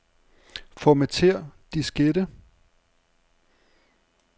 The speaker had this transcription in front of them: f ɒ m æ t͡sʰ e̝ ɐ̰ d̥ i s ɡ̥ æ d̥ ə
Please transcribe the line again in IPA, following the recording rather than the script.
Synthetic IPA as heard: f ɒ m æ t͡sʰ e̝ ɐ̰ d̥ i s ɡ̥ e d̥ ə